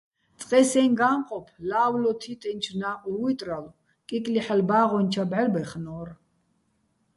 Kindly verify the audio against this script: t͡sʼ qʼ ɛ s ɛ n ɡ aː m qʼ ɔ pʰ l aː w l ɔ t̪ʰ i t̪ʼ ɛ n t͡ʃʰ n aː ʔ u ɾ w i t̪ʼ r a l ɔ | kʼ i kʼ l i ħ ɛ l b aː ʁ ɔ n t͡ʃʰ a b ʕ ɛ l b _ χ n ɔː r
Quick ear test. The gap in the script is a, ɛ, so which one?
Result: ɛ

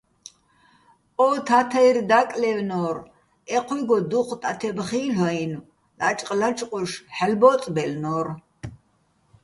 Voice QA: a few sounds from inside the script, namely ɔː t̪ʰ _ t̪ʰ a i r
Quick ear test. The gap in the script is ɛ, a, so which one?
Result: a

